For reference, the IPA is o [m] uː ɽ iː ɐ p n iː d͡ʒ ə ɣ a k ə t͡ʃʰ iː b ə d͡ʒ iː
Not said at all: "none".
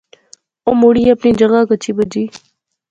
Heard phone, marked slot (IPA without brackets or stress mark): m